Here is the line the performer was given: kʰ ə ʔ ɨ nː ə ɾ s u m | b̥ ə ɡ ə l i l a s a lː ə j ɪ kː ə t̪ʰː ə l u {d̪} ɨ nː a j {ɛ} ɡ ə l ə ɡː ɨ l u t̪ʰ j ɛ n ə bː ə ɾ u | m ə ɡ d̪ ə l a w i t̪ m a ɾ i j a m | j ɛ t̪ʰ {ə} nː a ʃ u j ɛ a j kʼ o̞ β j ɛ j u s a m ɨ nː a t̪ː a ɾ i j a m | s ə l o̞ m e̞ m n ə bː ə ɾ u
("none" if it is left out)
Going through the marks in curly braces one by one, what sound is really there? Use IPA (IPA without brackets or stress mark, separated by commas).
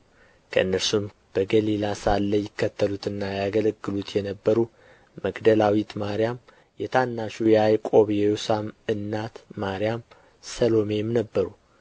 t̪, a, a